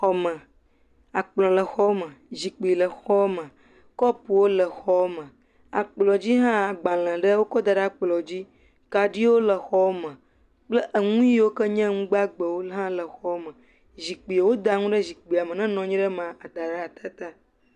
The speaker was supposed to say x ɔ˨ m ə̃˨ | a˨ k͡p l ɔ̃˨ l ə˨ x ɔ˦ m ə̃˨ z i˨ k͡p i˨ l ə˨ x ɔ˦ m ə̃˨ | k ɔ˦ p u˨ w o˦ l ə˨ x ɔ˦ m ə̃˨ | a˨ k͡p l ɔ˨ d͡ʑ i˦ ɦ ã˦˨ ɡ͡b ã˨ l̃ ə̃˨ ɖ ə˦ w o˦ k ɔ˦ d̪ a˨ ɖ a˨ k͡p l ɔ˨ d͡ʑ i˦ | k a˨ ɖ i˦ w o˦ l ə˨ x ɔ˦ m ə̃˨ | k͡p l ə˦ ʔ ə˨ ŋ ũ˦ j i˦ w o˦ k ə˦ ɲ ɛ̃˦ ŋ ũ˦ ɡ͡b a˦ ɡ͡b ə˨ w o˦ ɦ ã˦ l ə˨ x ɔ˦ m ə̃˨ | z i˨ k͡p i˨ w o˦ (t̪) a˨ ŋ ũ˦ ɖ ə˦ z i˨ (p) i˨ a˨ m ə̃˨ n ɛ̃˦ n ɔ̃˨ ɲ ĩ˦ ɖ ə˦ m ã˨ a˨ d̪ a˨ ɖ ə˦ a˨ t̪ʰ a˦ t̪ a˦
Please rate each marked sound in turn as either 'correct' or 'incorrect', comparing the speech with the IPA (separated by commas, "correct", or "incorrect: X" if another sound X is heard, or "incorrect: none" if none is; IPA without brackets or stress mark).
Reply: incorrect: d̪, incorrect: k͡p